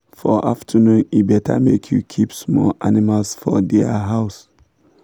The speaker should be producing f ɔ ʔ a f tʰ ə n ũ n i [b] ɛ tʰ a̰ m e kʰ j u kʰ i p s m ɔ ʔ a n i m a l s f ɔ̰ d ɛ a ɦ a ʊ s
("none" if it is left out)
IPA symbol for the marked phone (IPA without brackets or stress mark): b